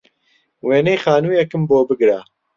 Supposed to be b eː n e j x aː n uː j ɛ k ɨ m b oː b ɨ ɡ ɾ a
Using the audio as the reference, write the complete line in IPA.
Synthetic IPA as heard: w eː n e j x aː n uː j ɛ k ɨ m b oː b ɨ ɡ ɾ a